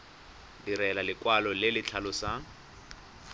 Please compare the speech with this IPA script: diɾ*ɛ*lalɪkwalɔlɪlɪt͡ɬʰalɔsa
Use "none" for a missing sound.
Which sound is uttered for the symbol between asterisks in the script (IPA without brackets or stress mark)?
ɛ